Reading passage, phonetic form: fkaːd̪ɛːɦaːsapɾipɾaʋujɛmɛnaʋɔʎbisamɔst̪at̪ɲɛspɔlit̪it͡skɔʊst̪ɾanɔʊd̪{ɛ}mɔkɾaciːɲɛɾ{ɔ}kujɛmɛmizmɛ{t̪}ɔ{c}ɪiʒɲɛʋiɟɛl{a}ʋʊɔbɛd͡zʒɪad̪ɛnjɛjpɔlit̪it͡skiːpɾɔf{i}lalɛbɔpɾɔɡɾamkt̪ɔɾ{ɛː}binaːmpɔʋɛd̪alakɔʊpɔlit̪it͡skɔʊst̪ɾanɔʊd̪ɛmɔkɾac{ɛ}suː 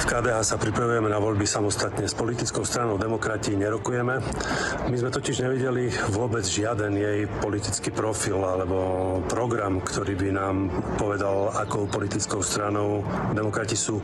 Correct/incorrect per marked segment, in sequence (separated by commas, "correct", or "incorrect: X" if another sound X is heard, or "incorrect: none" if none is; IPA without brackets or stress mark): correct, correct, correct, correct, incorrect: i, correct, incorrect: iː, incorrect: i